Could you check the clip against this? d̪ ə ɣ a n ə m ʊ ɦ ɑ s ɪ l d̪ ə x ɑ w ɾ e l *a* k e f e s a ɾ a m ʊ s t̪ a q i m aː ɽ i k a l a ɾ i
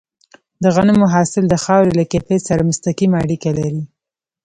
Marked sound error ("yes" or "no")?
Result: no